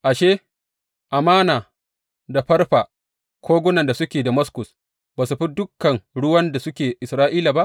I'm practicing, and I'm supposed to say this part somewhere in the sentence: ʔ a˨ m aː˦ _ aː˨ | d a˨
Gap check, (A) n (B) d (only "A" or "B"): A